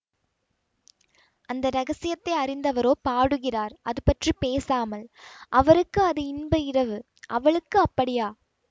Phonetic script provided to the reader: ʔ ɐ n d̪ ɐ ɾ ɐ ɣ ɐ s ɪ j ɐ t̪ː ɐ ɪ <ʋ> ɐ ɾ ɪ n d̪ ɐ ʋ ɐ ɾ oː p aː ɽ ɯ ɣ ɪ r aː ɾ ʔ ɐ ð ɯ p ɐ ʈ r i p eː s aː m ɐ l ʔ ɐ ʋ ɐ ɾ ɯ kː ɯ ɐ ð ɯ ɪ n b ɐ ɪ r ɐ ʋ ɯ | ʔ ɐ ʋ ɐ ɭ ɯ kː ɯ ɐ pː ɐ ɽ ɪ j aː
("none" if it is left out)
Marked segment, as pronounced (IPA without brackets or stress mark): none